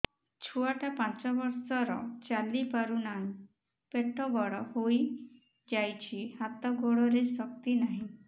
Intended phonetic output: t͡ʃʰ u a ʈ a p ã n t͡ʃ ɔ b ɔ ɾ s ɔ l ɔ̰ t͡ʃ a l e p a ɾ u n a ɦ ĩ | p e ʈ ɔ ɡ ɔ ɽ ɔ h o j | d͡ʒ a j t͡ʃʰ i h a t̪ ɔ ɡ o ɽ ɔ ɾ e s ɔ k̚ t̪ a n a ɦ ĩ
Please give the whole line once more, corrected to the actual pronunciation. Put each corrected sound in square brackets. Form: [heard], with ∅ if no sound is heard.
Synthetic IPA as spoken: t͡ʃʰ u a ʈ a p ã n t͡ʃ ɔ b ɔ ɾ s ɔ [ɾ] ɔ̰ t͡ʃ a l [i] p a ɾ u n a ɦ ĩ | p e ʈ ɔ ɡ ɔ ɽ ɔ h o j | d͡ʒ a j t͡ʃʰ i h a t̪ ɔ ɡ o ɽ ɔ ɾ e s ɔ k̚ t̪ [i] n a ɦ ĩ

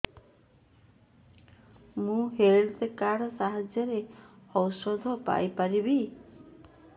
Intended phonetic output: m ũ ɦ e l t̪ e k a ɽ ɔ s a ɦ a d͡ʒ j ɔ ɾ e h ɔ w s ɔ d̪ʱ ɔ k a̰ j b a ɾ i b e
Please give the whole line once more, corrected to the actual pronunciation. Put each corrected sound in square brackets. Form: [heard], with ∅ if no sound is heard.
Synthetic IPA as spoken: m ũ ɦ e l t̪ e k a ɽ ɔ s a ɦ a d͡ʒ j ɔ ɾ e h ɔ w s ɔ d̪ʱ ɔ [p] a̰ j [p] a ɾ i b [i]

